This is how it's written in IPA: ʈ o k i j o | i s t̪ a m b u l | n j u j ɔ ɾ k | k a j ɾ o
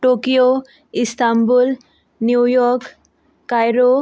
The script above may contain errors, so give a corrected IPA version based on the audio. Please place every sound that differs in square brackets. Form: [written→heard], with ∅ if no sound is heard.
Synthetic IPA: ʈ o k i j o | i s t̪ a m b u l | n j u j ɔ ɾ k | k a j ɾ o

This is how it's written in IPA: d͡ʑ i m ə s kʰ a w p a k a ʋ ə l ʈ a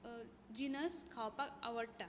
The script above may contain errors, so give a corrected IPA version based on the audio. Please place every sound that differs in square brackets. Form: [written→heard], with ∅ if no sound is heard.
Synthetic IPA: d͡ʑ i [m→n] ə s kʰ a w p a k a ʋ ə [l→ɽ] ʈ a

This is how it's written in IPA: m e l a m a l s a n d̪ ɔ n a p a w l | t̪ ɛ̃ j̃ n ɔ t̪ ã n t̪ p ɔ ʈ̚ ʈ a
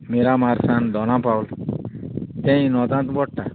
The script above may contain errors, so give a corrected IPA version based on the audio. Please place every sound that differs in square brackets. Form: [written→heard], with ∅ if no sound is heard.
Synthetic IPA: m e [l→ɾ] a m a [l→ɾ] s a n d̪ ɔ n a p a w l | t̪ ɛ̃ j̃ n ɔ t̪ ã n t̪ [p→b] ɔ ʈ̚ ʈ a

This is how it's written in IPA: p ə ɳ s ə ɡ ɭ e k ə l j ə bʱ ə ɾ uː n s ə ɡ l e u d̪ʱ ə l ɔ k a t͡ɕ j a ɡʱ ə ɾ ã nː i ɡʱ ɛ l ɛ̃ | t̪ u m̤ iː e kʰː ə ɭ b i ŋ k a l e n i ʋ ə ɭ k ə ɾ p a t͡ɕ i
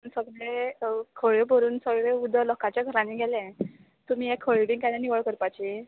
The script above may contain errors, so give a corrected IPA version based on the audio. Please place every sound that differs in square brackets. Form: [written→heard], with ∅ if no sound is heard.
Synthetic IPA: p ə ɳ s ə ɡ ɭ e [k→kʰ] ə [l→ɭ] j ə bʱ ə ɾ uː n s ə ɡ [l→ɭ] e u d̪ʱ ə l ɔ k a t͡ɕ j a ɡʱ ə ɾ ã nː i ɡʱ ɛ l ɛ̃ | t̪ u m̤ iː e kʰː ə ɭ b i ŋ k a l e n i ʋ ə ɭ k ə ɾ p a t͡ɕ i

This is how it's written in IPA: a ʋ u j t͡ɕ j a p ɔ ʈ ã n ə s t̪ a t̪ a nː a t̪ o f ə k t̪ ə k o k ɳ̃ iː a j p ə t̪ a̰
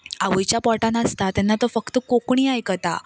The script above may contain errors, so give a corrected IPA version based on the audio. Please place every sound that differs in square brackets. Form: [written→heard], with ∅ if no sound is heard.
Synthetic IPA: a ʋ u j t͡ɕ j a p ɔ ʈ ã n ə s t̪ a t̪ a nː a t̪ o f ə k t̪ ə k o k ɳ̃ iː a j [p→k] ə t̪ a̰

